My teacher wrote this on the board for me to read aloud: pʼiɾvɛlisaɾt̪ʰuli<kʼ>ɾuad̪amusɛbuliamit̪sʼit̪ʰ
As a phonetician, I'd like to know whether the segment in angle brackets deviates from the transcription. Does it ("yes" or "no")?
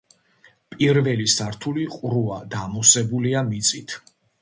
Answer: yes